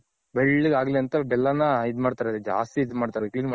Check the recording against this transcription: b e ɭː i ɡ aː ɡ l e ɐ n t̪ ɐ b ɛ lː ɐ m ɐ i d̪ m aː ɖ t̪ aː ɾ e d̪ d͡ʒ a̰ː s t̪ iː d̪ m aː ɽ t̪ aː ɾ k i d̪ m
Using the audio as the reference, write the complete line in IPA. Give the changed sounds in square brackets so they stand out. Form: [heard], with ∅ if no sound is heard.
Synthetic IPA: b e ɭː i ɡ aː ɡ l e ɐ n t̪ ɐ b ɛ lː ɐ [n] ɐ i d̪ m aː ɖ t̪ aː ɾ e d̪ d͡ʒ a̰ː s t̪ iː d̪ m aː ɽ t̪ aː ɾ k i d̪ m